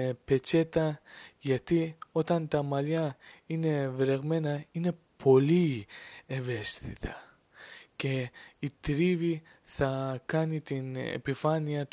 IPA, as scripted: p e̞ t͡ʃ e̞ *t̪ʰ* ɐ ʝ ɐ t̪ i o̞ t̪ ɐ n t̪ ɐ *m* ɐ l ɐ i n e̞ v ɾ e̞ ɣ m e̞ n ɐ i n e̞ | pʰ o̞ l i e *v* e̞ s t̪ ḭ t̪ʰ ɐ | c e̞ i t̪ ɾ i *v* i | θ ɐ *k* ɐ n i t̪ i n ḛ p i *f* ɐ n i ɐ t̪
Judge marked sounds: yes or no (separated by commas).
no, yes, yes, yes, yes, yes